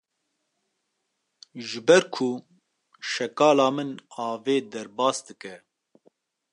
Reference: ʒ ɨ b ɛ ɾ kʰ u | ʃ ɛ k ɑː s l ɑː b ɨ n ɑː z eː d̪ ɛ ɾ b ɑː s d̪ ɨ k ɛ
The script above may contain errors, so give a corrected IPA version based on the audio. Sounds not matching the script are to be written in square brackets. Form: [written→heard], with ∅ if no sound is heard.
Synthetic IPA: ʒ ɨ b ɛ ɾ kʰ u | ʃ ɛ k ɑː [s→∅] l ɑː [b→m] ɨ n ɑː [z→v] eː d̪ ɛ ɾ b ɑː s d̪ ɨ k ɛ